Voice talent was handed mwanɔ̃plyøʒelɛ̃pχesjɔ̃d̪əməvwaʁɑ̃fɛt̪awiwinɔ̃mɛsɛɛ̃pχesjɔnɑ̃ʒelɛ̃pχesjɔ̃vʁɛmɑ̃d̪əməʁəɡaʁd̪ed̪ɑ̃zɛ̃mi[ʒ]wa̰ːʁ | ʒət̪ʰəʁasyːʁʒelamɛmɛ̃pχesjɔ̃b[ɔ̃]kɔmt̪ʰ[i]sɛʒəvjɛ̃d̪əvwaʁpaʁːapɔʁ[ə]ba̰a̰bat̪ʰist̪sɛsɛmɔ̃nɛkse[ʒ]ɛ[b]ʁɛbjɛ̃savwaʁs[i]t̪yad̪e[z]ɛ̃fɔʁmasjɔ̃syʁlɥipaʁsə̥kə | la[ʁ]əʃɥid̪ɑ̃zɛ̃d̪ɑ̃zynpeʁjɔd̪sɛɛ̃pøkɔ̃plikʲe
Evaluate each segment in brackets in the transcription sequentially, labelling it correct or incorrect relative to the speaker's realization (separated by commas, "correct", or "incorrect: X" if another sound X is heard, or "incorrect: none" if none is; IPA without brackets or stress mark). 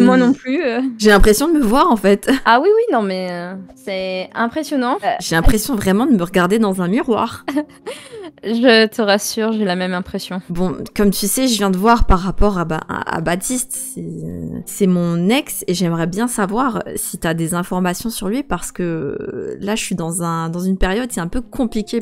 incorrect: ʁ, correct, incorrect: y, incorrect: a, correct, incorrect: m, correct, correct, incorrect: ʒ